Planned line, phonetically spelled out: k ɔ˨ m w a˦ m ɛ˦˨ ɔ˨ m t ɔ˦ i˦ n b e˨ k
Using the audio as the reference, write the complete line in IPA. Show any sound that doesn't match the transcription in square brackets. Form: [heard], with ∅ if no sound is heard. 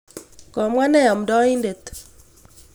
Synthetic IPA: k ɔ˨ m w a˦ [n] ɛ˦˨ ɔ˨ m [d] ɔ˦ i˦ n [d] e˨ [t]